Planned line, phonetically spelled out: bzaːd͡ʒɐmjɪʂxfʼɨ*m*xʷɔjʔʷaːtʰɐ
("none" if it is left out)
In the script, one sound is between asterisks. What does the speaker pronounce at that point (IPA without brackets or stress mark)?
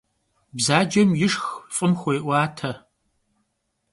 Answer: m